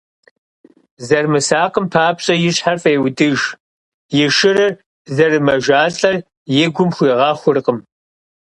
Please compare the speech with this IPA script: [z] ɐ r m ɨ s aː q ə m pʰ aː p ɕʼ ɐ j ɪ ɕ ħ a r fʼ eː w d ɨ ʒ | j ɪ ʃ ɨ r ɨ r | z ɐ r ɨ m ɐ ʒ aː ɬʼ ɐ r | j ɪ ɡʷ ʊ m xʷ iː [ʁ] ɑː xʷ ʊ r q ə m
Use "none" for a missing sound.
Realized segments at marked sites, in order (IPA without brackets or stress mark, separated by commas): z, ʁ